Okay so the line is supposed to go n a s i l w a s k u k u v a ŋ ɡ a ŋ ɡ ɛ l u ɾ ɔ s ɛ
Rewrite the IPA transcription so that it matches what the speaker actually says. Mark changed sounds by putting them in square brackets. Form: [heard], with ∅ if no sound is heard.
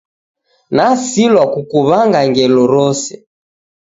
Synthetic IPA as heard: n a s i l w a [∅] k u k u [β] a ŋ ɡ a ŋ ɡ ɛ l [ɔ] ɾ ɔ s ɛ